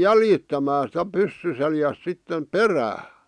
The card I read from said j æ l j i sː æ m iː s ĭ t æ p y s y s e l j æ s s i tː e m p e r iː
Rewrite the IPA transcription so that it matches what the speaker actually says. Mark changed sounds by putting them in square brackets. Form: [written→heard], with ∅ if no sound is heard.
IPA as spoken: j æ l j i [sː→tː] æ m [iː→æː] s ĭ t æ p y [s→sː] y s e l j æ s s i tː e m p e r [iː→æː]